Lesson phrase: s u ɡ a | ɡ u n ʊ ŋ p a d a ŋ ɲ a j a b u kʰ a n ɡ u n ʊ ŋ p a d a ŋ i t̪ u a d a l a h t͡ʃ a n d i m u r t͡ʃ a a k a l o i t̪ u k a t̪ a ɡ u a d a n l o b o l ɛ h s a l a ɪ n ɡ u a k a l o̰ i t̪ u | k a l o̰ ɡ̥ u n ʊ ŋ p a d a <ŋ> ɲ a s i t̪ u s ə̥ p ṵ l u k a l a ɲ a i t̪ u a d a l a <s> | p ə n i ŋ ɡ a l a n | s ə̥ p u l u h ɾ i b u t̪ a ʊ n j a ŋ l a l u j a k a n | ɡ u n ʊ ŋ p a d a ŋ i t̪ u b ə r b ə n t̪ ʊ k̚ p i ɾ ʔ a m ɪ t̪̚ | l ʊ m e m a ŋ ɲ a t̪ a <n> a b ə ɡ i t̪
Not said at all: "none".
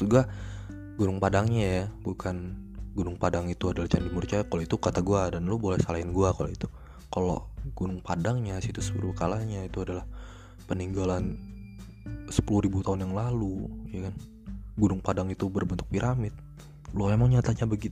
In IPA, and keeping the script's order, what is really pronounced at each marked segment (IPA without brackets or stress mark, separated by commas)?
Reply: ŋ, h, ɲ